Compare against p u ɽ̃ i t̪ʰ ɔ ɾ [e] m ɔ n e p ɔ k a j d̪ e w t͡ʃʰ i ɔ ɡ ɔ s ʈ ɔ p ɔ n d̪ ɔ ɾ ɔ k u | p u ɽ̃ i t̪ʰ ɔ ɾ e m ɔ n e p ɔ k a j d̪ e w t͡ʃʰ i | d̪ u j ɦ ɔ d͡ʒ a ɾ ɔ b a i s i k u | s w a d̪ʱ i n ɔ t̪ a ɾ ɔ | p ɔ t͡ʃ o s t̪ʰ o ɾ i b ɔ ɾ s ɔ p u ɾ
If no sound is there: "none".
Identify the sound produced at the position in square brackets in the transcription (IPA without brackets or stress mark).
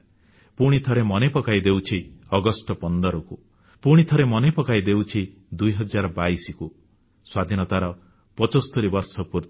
e